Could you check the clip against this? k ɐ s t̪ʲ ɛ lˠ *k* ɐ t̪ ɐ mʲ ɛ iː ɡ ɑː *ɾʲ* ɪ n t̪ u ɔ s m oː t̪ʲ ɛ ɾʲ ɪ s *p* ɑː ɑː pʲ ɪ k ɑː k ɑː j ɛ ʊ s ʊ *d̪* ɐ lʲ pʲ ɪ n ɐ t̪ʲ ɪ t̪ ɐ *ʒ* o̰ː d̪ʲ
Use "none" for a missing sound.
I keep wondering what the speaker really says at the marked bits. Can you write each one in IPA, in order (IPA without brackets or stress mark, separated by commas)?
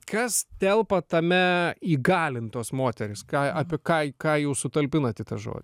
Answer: p, lʲ, k, t̪, ʒ